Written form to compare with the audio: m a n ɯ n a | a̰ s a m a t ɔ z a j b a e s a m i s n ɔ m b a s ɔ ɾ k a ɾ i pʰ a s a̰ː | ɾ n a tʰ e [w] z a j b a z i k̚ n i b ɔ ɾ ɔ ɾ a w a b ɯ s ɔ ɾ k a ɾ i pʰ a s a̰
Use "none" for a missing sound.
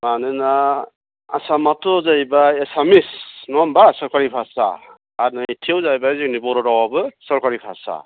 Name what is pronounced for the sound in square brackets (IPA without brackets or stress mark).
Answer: w